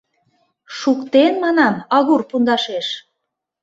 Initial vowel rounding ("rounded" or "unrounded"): rounded